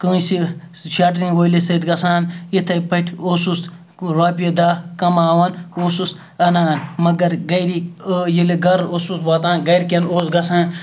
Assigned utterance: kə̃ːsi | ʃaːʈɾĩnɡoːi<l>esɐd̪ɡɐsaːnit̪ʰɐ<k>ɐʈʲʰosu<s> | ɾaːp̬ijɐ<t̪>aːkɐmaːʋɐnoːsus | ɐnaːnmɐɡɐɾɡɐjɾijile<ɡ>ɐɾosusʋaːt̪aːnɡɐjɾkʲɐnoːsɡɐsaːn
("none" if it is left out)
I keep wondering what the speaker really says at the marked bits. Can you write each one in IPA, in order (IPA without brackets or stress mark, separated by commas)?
l, p, s, d̪, ɡ